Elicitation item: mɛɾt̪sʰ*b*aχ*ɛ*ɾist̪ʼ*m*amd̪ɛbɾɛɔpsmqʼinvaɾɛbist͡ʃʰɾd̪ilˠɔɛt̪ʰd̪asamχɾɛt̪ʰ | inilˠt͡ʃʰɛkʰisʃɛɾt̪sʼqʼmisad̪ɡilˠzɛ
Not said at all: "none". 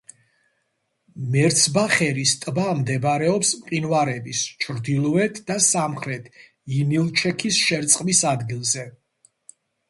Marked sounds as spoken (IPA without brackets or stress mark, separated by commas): b, ɛ, b